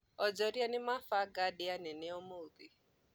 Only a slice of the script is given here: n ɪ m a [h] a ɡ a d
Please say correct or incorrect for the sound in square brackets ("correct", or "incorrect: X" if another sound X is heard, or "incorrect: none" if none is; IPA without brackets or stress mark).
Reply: incorrect: f